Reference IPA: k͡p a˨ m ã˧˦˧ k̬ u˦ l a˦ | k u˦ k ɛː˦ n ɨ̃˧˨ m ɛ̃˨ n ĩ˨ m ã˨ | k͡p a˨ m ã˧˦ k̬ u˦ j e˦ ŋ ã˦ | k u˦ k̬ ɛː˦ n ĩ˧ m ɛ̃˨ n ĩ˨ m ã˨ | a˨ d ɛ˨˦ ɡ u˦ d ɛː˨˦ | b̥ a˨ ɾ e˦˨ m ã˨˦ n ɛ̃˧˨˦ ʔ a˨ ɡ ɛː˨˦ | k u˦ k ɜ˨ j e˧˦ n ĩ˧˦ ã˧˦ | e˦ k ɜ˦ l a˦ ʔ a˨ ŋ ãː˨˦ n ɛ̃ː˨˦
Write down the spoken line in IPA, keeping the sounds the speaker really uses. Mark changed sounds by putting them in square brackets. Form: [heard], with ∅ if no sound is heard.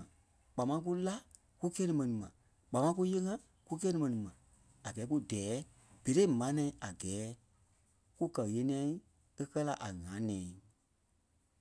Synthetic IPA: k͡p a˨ m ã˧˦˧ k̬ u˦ l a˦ | k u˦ k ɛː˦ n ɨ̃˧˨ m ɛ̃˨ n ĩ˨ m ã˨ | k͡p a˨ m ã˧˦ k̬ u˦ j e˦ ŋ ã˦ | k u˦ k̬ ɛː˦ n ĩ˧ m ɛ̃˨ n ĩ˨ m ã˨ | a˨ [ɡ] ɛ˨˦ [k] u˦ d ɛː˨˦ | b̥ [e˨] ɾ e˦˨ m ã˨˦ n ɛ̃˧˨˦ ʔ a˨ ɡ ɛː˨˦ | k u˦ k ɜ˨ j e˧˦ n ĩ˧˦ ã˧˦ | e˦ k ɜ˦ l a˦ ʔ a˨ ŋ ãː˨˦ n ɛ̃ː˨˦